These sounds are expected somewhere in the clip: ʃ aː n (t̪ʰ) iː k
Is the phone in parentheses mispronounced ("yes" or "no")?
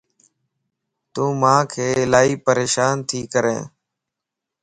no